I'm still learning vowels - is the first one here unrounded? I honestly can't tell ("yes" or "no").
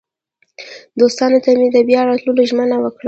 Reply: no